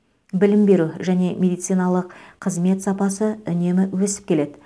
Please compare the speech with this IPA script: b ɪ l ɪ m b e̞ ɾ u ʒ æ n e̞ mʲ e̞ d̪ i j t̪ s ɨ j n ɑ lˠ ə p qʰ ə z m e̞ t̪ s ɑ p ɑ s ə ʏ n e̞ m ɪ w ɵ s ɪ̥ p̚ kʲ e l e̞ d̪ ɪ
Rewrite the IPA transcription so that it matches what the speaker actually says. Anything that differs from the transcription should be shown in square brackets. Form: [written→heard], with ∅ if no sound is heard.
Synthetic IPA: b ɪ l ɪ m b e̞ ɾ u ʒ æ n e̞ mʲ e̞ d̪ i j t̪ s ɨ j n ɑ lˠ ə [p→q] qʰ ə z m e̞ t̪ s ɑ p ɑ s ə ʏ n e̞ m ɪ w ɵ s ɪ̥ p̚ kʲ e l e̞ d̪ ɪ